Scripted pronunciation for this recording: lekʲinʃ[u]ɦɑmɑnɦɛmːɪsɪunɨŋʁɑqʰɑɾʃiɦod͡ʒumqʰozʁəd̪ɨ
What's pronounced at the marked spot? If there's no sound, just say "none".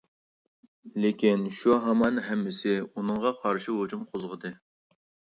u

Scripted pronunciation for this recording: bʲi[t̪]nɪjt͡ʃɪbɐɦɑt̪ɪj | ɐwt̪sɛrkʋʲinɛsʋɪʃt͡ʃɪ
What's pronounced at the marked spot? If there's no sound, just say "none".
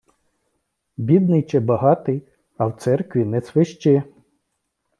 d̪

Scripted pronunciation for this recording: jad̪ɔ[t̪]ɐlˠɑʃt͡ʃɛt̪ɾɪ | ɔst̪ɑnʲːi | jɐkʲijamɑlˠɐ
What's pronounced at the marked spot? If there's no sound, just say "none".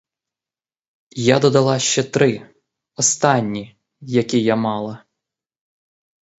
d̪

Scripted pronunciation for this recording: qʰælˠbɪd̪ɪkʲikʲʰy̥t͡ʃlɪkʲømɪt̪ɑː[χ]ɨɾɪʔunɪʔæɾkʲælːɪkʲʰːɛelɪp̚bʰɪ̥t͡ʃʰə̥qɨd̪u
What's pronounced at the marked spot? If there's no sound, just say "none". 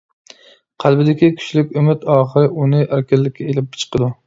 χ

